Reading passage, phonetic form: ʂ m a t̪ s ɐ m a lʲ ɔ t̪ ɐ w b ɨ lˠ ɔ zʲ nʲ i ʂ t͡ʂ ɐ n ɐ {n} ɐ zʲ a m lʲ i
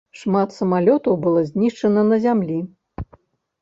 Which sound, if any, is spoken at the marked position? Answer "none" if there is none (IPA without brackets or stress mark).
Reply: n